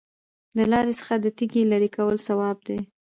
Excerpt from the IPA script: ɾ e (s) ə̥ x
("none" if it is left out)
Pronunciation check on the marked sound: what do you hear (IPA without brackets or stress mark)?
s